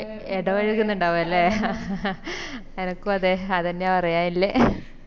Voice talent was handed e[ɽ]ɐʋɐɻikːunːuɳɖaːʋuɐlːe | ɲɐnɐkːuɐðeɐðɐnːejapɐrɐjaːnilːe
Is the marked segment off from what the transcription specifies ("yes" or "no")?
no